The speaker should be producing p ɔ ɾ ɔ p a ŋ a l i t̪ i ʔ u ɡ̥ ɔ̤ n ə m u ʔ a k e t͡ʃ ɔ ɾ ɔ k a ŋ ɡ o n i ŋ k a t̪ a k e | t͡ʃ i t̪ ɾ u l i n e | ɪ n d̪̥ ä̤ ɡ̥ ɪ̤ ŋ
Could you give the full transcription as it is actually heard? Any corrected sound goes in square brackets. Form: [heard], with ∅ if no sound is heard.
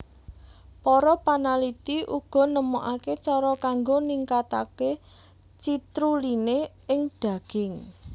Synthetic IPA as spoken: p ɔ ɾ ɔ p a [n] a l i t̪ i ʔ u ɡ̥ ɔ̤ n ə m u ʔ a k e t͡ʃ ɔ ɾ ɔ k a ŋ ɡ o n i ŋ k a t̪ a k e | t͡ʃ i t̪ ɾ u l i n e | ɪ [ŋ] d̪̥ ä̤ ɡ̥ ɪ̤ ŋ